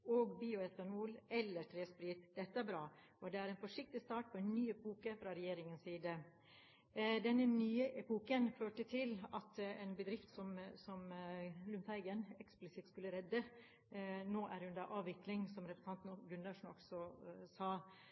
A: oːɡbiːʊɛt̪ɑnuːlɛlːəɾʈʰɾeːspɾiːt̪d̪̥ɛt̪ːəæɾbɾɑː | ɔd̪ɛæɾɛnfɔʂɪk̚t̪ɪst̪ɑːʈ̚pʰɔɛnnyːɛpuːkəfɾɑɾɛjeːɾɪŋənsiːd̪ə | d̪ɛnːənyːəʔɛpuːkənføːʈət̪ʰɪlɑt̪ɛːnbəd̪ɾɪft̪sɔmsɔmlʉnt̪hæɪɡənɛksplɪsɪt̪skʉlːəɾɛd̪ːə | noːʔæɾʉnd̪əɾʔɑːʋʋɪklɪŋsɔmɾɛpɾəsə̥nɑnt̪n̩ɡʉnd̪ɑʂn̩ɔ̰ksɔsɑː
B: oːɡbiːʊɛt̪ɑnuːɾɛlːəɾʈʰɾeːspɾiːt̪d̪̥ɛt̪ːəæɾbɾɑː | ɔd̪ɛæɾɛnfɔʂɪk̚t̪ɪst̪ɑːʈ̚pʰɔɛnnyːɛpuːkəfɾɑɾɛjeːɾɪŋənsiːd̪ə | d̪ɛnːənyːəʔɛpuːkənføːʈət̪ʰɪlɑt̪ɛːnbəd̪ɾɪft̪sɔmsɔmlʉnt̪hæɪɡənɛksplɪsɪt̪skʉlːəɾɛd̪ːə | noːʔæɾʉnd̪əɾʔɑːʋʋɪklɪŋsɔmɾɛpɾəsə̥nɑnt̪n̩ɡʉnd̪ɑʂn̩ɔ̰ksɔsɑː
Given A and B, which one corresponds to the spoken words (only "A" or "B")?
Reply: A